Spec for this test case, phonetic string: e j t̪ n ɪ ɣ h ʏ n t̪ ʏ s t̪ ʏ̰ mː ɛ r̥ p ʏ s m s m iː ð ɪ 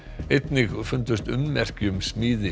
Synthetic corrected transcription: e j t̪ n ɪ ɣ f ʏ n t̪ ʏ s t̪ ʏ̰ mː ɛ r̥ c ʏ m s m iː ð ɪ